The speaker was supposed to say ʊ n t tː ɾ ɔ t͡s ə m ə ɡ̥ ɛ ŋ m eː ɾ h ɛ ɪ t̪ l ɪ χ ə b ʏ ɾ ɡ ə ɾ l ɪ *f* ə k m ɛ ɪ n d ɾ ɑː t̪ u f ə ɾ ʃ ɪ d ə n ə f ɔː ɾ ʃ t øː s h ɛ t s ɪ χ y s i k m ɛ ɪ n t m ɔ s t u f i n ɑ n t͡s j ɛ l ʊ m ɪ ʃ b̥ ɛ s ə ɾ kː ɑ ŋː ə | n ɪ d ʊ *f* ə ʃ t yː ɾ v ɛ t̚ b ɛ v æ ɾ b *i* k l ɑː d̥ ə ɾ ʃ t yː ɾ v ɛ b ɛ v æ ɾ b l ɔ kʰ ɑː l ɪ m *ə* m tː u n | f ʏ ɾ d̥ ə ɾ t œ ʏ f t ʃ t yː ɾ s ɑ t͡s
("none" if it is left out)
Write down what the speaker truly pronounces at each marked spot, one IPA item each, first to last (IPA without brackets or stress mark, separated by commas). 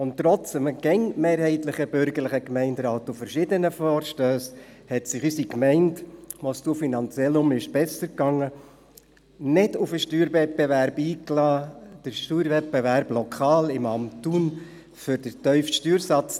χ, f, iː, ɑ